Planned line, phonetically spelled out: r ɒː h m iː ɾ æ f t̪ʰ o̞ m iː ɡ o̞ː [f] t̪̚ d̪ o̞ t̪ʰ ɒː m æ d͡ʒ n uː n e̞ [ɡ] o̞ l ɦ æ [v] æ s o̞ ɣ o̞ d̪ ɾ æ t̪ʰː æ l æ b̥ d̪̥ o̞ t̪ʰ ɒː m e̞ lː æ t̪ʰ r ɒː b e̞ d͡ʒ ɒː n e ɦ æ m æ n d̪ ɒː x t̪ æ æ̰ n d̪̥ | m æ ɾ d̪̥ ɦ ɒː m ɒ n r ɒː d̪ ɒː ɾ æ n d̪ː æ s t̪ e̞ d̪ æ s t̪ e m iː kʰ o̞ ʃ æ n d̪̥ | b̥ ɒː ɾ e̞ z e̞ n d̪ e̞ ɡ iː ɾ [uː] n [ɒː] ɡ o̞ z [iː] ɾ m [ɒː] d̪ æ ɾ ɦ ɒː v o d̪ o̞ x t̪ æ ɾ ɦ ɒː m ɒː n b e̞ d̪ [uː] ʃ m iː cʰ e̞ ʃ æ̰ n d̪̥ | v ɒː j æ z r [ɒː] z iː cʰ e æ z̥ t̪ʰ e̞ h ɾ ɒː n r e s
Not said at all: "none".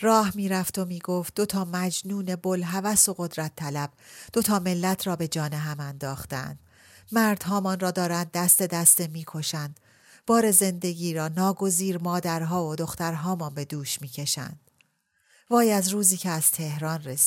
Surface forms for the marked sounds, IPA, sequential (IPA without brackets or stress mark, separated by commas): f, b, v, ɒː, ɒː, iː, ɒː, uː, uː